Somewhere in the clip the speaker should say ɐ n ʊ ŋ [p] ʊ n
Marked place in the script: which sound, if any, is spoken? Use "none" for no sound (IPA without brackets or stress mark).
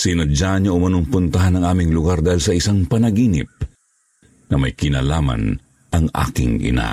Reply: p